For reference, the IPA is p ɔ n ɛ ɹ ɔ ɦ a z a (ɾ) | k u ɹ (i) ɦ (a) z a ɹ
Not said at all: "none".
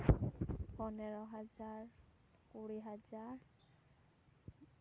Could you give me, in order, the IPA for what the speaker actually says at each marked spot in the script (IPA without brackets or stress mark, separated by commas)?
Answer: ɹ, i, a